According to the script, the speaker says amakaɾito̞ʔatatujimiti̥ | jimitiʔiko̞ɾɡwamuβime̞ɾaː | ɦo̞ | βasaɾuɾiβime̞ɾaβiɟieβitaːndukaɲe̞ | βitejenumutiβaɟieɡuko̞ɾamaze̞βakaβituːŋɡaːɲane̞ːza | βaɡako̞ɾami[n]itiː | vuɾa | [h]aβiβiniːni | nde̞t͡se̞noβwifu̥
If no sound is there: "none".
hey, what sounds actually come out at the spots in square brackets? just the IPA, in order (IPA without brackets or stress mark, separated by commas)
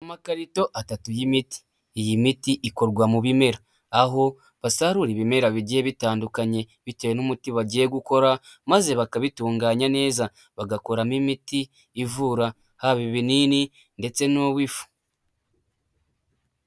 m, h